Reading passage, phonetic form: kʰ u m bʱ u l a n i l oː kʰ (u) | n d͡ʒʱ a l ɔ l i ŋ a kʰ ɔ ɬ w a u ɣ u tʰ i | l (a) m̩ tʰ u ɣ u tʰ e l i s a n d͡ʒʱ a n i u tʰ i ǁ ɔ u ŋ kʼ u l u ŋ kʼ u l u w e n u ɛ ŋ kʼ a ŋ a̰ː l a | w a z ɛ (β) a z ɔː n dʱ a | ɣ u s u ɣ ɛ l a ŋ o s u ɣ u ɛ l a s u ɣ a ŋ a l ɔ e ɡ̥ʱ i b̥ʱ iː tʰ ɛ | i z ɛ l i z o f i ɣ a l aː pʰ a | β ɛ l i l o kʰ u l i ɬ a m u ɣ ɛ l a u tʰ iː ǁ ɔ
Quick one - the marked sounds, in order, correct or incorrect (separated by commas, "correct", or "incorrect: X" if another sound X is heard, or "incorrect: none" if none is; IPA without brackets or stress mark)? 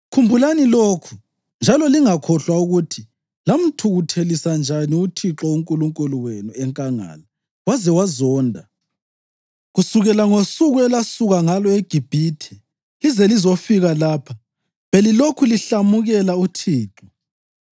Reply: correct, correct, incorrect: w